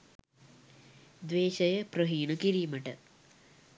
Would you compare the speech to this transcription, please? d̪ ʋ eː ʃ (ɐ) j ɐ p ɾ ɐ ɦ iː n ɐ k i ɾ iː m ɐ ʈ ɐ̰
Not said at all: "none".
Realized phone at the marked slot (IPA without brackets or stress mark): ɐ